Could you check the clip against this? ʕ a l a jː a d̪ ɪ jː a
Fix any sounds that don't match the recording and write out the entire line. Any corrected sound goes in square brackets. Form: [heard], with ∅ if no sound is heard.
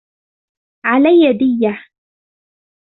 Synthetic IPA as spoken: ʕ a l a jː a d̪ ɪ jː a

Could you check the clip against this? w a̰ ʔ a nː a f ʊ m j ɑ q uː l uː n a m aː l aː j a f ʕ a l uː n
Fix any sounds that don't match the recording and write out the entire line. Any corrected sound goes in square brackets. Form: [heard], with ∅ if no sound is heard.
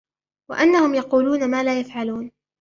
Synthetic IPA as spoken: w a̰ ʔ a nː a [h] ʊ m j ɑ q uː l uː n a m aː l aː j a f ʕ a l uː n

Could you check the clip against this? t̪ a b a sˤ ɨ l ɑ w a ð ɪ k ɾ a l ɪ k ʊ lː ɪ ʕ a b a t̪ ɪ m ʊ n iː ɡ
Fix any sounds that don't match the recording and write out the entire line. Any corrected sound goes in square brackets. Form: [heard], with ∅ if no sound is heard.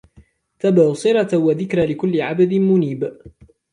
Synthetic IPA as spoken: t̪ a b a sˤ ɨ [ɾ] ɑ w a ð ɪ k ɾ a l ɪ k ʊ lː ɪ ʕ a b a [d̪] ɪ m ʊ n iː [b]

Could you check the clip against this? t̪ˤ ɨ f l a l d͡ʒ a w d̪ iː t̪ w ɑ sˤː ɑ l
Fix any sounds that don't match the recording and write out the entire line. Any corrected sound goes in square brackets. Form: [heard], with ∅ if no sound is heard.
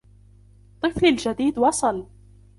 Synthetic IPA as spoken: t̪ˤ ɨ f l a l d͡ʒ a [∅] d̪ iː [d̪] w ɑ [sˤ] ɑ l

